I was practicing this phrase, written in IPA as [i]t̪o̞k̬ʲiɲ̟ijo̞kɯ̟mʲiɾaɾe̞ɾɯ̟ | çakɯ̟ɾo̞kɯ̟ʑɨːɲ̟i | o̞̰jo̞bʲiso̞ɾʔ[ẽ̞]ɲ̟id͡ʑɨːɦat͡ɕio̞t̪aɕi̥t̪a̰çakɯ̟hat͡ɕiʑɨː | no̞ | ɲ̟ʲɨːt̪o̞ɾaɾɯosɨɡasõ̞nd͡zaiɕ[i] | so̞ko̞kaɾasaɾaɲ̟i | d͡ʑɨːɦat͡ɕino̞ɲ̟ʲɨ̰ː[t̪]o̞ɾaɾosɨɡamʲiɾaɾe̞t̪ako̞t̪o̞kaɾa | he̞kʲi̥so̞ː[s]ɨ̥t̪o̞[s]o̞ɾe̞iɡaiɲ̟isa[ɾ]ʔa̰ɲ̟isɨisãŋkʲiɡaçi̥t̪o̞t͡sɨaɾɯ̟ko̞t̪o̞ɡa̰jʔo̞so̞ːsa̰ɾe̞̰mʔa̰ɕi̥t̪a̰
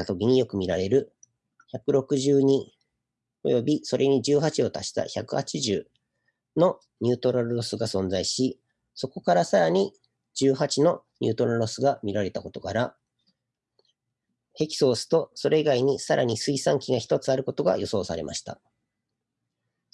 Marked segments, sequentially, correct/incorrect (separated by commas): incorrect, incorrect, correct, correct, correct, correct, correct